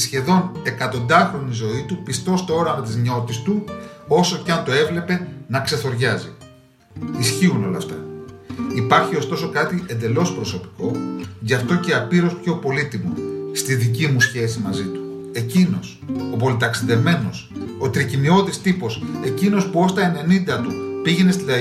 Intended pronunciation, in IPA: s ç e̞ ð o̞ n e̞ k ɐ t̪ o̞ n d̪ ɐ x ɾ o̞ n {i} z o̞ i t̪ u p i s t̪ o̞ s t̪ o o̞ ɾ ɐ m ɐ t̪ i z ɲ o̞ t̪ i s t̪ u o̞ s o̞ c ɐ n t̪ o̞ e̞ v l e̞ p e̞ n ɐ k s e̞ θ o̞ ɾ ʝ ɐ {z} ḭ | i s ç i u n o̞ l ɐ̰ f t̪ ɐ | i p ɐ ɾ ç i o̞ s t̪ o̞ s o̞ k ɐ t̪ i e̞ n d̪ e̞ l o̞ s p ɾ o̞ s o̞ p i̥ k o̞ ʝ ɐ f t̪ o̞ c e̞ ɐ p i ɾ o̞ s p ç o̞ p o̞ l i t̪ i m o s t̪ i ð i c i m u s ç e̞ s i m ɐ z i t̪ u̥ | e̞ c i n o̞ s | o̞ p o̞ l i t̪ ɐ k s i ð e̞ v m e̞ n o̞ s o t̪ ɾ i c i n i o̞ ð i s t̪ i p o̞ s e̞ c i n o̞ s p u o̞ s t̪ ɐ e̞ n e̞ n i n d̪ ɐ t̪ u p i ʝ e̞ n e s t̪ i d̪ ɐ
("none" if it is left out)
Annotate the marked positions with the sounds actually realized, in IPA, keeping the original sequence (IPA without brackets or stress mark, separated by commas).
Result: i, z